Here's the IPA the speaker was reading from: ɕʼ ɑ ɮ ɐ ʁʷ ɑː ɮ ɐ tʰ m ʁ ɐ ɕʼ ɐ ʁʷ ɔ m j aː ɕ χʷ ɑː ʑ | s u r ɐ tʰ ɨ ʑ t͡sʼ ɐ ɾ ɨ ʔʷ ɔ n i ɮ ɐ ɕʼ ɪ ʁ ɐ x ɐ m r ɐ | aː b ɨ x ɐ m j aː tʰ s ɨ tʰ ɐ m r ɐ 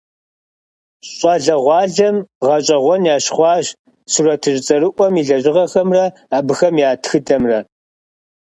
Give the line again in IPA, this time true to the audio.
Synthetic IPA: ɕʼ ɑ ɮ ɐ ʁʷ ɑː ɮ ɐ m ʁ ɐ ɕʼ ɐ ʁʷ ɔ n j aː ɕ χʷ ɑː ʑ | s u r ɐ tʰ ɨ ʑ t͡sʼ ɐ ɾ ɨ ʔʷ ɔ m i ɮ ɐ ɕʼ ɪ ʁ ɐ x ɐ m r ɐ | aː b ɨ x ɐ m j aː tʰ x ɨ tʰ ɐ m r ɐ